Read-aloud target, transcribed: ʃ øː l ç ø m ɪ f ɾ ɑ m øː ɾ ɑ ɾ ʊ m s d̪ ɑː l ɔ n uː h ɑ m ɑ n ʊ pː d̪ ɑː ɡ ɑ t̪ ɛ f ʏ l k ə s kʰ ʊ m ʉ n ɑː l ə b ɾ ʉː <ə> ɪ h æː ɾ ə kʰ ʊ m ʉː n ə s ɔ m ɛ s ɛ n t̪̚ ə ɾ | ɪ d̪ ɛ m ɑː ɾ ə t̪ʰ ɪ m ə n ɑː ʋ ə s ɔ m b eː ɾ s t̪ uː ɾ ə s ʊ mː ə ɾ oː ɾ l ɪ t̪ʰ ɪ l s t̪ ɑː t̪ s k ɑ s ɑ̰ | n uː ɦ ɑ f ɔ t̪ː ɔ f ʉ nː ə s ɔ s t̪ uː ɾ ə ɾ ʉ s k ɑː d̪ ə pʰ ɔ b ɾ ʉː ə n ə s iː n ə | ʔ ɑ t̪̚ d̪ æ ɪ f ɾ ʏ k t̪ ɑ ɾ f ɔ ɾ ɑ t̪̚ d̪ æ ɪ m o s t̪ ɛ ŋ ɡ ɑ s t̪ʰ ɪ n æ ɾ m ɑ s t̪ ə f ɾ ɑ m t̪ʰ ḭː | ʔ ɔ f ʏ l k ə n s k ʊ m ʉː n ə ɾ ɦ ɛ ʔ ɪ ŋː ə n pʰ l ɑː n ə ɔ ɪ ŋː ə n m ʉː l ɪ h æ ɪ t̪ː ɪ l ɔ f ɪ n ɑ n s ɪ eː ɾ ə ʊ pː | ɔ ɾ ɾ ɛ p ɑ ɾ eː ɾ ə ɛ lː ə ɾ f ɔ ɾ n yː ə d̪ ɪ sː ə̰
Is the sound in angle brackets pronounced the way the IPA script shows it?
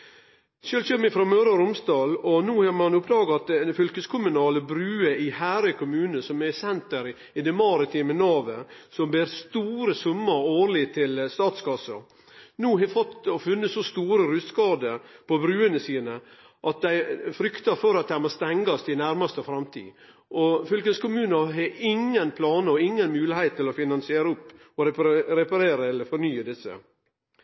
yes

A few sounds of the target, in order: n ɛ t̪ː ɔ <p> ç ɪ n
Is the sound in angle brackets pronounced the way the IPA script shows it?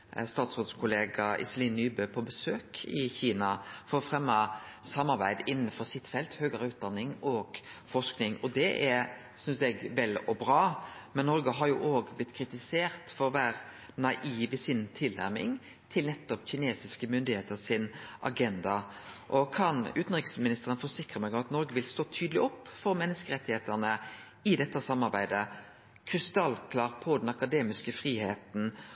yes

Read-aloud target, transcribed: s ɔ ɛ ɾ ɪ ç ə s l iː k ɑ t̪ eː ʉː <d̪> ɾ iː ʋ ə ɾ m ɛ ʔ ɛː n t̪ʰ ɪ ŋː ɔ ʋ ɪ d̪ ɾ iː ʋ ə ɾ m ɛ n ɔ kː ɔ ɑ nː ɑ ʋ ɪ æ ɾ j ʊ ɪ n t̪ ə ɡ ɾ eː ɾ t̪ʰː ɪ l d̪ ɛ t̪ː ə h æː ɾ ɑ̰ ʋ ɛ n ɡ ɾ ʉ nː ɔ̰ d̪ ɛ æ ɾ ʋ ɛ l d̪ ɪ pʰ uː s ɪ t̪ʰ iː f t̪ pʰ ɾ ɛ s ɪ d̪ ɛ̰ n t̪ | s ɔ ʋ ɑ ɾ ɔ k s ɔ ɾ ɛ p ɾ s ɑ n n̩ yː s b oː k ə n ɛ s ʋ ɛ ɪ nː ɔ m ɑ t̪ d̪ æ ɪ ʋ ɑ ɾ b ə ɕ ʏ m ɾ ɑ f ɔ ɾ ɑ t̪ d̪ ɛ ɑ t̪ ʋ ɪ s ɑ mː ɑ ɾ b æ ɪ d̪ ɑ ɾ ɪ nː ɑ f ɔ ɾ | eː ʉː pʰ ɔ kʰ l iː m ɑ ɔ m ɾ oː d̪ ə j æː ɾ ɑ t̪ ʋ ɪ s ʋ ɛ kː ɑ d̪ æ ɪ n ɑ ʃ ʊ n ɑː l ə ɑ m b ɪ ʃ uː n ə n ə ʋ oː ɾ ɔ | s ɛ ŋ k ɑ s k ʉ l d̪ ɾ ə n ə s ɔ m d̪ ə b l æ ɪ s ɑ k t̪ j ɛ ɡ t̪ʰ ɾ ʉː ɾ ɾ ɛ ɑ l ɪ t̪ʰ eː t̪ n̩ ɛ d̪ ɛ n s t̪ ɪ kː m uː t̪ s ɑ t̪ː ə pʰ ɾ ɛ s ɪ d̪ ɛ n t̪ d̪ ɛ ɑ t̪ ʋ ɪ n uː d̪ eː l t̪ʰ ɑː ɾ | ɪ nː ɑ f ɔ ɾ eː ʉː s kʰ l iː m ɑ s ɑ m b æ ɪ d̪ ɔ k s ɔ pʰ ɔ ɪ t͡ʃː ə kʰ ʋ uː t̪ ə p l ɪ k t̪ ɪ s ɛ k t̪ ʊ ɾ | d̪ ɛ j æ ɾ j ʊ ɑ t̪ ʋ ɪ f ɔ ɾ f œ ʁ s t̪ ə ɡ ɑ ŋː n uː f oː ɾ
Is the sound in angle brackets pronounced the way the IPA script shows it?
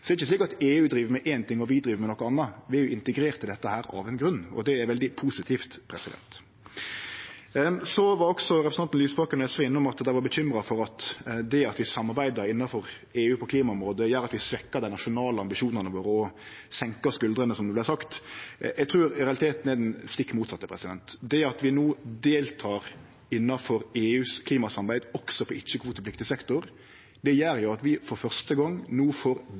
yes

